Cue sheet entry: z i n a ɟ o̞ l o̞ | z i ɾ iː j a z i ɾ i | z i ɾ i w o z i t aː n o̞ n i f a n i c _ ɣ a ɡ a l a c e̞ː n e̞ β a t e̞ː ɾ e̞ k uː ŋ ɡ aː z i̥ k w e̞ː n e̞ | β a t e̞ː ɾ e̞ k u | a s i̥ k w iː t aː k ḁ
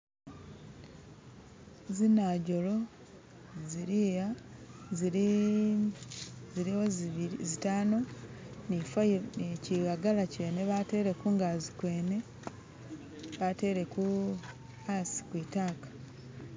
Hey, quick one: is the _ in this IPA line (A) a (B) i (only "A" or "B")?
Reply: B